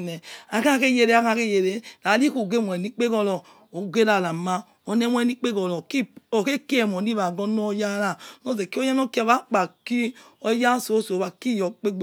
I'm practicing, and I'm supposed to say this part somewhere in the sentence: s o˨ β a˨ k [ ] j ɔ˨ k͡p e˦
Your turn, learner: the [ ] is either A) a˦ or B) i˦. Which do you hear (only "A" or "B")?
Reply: B